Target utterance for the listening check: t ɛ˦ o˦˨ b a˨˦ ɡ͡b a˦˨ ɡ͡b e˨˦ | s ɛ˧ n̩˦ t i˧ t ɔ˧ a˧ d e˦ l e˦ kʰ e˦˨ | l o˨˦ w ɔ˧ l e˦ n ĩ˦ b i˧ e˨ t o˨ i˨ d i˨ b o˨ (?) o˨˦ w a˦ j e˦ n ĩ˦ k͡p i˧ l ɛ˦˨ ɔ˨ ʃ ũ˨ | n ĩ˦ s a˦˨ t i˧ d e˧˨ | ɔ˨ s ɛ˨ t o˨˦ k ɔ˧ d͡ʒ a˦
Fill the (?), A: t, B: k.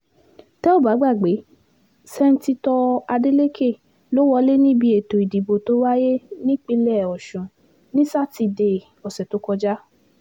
A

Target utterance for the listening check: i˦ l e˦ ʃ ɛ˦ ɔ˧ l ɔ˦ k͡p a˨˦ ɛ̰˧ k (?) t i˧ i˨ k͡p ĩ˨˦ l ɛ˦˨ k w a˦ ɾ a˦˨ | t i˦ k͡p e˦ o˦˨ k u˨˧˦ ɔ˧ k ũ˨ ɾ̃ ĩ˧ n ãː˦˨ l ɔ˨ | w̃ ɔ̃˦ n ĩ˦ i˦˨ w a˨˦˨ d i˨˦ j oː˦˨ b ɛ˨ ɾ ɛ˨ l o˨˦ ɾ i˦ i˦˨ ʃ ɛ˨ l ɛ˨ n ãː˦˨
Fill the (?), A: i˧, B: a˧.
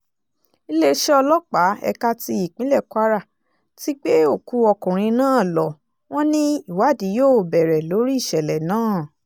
B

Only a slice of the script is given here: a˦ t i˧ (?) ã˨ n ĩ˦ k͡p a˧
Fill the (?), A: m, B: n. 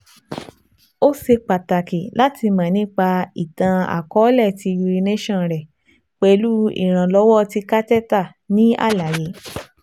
A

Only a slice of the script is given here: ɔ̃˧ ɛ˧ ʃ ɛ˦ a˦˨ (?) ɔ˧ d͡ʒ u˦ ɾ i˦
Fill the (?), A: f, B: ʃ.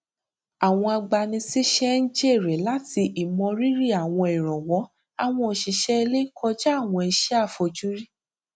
A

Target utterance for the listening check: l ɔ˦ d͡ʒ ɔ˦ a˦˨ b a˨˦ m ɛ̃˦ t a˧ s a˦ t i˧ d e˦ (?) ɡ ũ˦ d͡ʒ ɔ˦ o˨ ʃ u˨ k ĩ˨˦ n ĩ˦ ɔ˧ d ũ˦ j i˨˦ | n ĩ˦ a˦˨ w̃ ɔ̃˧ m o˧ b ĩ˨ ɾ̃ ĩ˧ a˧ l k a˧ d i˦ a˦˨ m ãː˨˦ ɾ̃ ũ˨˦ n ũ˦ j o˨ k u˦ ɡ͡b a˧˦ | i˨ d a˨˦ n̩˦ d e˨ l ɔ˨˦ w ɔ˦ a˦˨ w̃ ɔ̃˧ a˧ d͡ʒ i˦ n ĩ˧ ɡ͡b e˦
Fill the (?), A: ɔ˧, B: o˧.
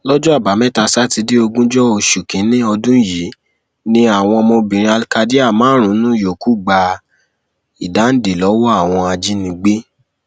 B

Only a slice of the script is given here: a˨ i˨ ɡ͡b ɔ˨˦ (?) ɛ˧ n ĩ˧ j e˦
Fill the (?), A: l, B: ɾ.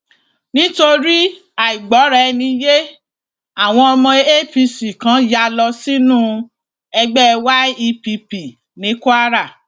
B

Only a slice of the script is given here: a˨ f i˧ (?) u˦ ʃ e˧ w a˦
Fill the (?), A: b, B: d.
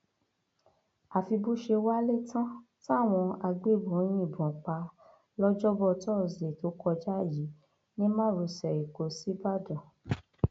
A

